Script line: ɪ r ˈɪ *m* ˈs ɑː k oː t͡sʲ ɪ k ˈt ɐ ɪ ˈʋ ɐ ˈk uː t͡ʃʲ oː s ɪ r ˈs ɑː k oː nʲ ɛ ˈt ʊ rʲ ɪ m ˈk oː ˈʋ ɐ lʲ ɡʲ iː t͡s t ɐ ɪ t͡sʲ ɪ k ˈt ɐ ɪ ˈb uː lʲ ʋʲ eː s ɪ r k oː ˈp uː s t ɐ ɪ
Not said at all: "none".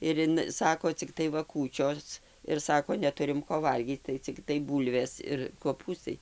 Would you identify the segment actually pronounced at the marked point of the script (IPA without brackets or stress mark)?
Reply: n